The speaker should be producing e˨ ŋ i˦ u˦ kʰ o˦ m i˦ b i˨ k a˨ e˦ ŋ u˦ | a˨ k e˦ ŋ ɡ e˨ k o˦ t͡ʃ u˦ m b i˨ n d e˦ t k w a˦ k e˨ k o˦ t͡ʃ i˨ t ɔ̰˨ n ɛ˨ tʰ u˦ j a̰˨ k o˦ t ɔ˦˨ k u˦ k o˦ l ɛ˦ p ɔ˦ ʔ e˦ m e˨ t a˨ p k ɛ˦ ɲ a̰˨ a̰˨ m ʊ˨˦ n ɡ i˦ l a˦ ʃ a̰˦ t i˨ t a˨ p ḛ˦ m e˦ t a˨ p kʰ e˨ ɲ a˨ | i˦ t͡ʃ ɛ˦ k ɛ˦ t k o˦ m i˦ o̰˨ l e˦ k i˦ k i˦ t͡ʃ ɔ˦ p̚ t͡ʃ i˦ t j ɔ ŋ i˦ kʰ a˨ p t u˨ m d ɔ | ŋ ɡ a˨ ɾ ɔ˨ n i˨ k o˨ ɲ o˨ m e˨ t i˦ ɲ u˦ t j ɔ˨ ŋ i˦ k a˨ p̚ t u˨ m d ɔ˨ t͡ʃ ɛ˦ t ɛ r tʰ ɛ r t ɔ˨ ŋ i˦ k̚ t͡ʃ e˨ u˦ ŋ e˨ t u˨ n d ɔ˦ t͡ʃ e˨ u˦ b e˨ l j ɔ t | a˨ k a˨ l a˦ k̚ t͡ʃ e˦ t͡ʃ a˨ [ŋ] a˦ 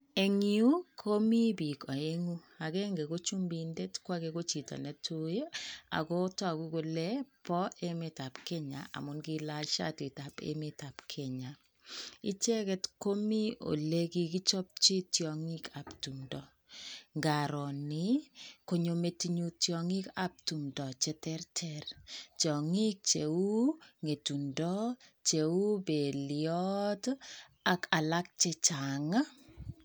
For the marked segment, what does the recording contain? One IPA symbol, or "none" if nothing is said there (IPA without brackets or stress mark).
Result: ŋ